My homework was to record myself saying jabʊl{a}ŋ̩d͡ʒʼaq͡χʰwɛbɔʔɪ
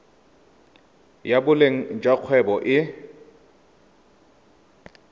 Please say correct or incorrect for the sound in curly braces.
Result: incorrect: e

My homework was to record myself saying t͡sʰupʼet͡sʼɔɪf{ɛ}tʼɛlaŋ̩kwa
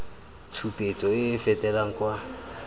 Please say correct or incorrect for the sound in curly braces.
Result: correct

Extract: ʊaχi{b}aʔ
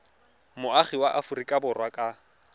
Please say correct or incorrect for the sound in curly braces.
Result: incorrect: w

